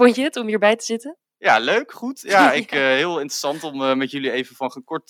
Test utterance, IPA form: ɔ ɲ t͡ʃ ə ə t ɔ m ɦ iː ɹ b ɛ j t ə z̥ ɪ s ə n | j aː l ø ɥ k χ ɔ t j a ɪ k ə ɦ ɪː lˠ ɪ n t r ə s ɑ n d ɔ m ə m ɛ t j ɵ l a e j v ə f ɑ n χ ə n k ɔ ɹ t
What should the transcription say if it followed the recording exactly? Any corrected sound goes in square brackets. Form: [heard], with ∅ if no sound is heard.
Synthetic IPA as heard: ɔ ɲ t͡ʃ ə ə t ɔ m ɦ iː ɹ b ɛ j t ə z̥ ɪ [t] ə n | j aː l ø ɥ k χ [u] t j a ɪ k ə ɦ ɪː lˠ ɪ n t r ə s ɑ n [t] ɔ m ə m ɛ t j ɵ l [i] e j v ə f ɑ n χ ə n k ɔ ɹ t